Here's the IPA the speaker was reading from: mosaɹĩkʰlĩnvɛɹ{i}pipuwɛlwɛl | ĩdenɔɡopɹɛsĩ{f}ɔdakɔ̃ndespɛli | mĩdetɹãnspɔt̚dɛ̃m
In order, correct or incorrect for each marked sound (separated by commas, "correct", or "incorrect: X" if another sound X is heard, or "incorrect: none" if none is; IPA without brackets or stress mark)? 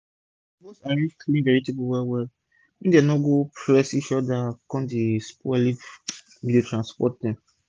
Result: correct, incorrect: ʃ